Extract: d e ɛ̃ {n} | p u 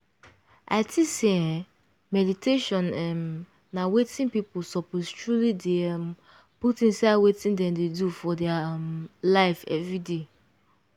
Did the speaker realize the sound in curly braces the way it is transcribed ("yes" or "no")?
no